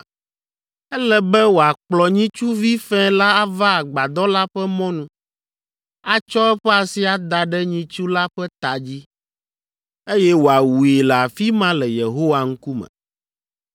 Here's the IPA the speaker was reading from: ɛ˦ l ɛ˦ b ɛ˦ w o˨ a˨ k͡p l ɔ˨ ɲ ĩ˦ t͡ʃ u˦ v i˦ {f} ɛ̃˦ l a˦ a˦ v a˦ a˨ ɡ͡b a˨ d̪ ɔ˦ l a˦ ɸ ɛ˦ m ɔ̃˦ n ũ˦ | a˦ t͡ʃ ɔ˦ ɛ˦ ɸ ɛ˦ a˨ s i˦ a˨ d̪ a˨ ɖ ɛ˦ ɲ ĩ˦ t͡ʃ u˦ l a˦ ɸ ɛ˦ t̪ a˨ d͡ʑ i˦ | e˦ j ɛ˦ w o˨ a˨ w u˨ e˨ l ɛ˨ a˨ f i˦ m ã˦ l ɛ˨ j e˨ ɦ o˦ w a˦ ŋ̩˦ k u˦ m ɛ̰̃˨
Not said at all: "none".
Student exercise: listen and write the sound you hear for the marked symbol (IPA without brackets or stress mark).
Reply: f